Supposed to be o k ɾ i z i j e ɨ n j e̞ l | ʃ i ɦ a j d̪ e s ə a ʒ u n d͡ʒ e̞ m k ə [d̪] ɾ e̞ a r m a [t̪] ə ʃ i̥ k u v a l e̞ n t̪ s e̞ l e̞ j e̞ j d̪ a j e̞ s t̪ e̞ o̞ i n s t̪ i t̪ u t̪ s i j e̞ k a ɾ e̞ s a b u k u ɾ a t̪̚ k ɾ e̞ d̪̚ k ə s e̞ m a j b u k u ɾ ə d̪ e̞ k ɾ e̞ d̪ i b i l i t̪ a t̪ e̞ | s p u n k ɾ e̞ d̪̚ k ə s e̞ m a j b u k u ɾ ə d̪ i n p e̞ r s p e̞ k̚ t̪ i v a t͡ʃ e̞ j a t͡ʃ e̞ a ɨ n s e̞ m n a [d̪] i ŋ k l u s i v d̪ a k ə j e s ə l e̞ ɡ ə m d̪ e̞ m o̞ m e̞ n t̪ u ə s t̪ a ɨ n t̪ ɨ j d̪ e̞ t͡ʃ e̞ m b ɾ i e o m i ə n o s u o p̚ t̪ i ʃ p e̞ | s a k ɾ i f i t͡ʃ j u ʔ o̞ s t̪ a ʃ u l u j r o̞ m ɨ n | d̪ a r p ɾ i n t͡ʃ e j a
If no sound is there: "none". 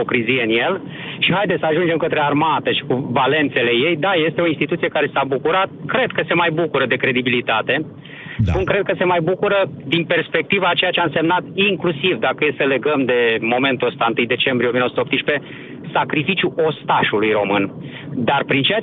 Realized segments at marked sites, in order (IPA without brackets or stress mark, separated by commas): t̪, t̪, t̪